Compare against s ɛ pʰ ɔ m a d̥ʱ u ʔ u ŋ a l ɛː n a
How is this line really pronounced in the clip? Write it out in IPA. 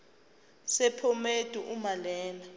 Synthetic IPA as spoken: s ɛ pʰ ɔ m e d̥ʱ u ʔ u m a l ɛː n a